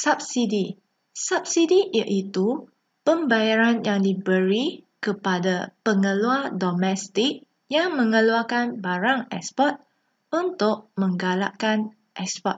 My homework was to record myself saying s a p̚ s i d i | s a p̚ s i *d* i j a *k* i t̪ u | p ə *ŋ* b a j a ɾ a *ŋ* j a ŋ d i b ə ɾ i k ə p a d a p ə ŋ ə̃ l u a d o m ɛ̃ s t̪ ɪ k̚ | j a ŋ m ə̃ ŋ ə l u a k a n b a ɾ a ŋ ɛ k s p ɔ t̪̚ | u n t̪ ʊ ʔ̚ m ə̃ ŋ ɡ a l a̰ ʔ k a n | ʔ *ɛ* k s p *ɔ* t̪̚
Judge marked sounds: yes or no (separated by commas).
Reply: yes, no, no, no, yes, yes